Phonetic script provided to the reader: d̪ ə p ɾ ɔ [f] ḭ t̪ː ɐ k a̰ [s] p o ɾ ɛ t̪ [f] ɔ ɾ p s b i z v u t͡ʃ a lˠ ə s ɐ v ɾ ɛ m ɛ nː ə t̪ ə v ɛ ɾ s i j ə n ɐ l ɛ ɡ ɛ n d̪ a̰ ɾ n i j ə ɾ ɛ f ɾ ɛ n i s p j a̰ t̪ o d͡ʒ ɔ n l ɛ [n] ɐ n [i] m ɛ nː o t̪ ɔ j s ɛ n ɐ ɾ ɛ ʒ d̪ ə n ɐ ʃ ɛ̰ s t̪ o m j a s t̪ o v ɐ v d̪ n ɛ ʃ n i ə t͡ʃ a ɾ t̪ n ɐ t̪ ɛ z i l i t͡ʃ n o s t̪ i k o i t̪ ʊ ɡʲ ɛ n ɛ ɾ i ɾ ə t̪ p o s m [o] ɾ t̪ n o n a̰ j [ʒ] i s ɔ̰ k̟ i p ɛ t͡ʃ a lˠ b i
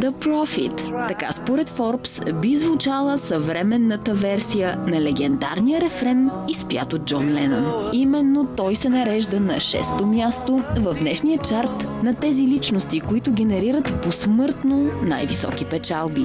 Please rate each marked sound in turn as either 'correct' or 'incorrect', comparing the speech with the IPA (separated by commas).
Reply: correct, correct, correct, correct, correct, incorrect, incorrect